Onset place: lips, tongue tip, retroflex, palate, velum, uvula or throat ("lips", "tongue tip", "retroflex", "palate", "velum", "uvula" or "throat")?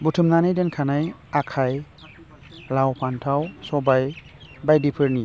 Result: lips